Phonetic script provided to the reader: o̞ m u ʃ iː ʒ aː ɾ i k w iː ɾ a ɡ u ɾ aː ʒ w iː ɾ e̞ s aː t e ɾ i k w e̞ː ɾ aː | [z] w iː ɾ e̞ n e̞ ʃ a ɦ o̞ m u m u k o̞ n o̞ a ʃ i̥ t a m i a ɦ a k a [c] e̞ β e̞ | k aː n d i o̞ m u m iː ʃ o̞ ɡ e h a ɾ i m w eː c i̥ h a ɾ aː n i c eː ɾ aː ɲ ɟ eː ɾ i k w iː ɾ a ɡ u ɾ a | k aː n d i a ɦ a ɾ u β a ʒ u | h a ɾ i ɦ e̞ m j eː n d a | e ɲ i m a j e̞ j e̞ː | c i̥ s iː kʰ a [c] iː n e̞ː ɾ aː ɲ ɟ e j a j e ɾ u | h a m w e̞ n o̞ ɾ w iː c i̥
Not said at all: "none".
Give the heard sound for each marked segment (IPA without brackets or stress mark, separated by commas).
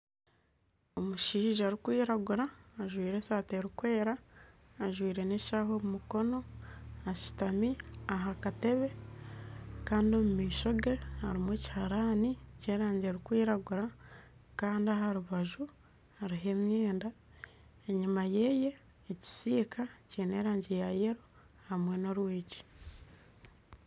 ʒ, t, c